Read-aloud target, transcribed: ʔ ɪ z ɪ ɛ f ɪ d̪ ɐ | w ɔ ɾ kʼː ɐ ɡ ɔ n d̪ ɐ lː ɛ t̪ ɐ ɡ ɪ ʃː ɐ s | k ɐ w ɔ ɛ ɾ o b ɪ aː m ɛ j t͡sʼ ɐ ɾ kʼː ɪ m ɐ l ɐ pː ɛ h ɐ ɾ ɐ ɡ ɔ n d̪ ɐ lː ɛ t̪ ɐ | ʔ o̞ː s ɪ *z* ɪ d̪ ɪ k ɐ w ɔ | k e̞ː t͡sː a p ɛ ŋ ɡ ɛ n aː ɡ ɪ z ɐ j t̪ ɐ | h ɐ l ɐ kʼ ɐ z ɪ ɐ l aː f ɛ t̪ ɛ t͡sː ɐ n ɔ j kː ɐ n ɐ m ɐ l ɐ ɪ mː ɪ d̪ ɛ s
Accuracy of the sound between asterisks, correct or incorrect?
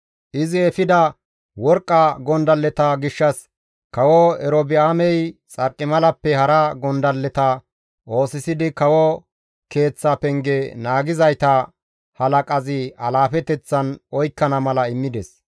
incorrect